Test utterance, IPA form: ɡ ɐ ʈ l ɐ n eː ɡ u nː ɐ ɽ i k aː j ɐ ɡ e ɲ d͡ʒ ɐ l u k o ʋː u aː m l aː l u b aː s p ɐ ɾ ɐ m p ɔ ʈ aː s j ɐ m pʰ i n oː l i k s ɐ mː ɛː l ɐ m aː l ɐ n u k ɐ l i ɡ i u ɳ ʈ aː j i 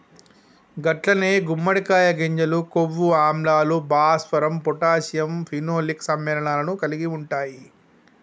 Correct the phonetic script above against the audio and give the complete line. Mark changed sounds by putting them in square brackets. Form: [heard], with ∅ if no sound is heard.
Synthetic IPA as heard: ɡ ɐ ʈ l ɐ n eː ɡ u [mː] ɐ ɽ i k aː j ɐ ɡ e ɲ d͡ʒ ɐ l u k o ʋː u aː m l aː l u b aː s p ɐ ɾ ɐ m p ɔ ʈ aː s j ɐ m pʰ i n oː l i k s ɐ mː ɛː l ɐ [ɳ] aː l ɐ n u k ɐ l i ɡ i u ɳ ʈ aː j i